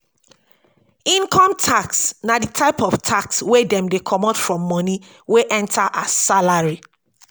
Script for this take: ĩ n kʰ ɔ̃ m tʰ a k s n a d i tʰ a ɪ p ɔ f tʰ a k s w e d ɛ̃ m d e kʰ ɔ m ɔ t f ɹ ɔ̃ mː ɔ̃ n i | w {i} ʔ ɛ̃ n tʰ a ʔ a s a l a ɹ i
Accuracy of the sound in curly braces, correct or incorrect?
incorrect